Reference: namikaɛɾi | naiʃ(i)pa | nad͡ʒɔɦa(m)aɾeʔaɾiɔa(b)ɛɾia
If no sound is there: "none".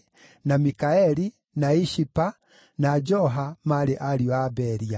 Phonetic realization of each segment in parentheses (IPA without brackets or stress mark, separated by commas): i, m, b